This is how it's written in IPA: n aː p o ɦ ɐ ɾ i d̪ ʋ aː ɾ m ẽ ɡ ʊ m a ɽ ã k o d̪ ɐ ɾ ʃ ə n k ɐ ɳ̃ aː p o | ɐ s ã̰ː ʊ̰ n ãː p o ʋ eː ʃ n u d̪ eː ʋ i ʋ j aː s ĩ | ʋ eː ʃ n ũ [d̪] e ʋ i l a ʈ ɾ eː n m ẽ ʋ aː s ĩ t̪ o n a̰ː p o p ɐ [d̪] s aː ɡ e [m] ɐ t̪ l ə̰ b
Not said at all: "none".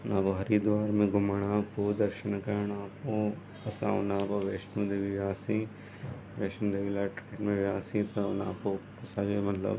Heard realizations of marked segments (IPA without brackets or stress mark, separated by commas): d̪, none, m